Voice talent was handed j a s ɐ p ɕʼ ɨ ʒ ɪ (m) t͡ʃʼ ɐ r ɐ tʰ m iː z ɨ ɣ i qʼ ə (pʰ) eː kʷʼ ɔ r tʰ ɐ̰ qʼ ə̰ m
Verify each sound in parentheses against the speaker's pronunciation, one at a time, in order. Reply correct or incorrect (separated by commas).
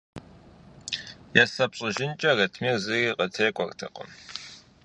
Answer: incorrect, incorrect